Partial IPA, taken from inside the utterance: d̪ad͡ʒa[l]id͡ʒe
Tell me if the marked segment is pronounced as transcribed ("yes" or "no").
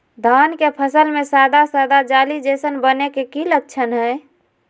yes